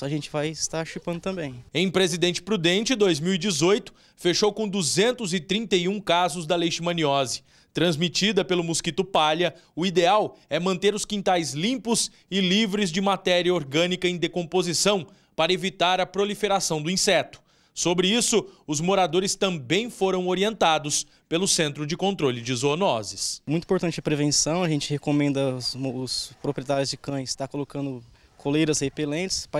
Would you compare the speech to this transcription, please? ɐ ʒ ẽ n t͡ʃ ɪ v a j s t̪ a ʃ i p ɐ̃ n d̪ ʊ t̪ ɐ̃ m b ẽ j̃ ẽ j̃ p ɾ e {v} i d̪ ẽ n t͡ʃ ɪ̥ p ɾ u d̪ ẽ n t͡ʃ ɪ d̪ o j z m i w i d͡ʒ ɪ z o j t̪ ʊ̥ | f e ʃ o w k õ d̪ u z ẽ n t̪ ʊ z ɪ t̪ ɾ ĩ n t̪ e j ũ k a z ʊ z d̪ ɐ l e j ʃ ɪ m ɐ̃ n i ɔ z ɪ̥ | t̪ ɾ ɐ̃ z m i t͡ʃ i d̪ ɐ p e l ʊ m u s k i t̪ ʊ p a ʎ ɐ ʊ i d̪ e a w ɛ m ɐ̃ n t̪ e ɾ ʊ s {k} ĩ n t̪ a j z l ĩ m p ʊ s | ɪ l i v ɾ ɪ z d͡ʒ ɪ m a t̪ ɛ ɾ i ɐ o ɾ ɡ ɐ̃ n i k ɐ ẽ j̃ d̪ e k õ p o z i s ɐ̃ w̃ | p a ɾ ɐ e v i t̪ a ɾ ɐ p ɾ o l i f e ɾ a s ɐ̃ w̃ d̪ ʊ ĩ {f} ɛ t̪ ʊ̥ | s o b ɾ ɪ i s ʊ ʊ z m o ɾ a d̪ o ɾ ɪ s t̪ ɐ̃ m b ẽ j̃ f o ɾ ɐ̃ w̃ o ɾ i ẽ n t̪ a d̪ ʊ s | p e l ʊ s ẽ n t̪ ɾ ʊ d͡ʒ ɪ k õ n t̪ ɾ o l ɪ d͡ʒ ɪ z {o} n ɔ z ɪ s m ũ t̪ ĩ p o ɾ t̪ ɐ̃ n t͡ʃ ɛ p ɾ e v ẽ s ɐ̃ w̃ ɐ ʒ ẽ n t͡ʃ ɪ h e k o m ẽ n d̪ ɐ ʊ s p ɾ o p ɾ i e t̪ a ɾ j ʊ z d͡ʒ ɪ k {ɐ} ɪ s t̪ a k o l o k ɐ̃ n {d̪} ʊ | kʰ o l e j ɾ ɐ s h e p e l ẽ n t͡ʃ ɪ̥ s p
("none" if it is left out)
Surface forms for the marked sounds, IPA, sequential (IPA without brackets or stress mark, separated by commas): z, k, s, o, ɐ̃, d̪